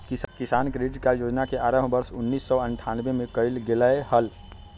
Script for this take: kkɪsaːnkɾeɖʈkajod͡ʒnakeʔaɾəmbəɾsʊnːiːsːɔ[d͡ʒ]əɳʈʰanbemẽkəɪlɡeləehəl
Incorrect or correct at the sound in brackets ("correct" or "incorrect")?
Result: incorrect